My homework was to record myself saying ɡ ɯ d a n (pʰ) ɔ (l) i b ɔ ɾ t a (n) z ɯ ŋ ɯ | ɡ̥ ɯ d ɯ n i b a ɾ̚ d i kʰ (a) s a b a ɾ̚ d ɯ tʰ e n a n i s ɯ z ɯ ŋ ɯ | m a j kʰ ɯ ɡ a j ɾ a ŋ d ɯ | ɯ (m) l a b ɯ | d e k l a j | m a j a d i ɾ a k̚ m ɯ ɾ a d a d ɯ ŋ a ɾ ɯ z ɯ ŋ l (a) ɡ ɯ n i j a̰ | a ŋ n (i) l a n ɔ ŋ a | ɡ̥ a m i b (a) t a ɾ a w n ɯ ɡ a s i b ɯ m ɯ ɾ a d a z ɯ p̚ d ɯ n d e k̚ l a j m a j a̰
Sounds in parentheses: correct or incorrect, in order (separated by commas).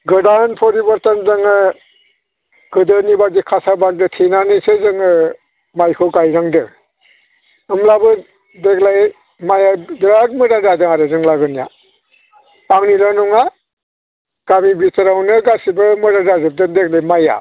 correct, incorrect, correct, correct, correct, correct, correct, incorrect